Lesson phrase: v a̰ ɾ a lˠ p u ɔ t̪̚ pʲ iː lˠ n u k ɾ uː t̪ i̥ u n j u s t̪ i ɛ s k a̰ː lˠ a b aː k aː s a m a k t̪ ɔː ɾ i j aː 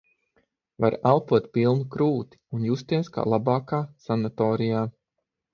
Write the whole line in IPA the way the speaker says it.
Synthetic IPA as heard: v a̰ ɾ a lˠ p u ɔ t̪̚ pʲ i lˠ n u k ɾ uː t̪ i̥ u n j u s t̪ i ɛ s k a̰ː lˠ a b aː k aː s a n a t̪ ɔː ɾ i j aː